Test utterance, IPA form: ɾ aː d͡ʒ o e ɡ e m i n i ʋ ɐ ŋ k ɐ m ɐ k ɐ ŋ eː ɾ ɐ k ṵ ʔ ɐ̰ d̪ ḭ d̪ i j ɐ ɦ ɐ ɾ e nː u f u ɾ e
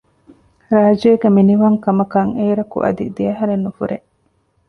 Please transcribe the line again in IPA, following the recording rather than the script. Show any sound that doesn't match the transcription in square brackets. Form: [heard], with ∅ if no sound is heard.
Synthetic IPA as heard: ɾ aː d͡ʒ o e ɡ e m i n i ʋ ɐ ŋ k ɐ m ɐ k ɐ ŋ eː ɾ ɐ k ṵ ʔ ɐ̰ d̪ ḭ d̪ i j ɐ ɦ ɐ ɾ e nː u f u ɾ e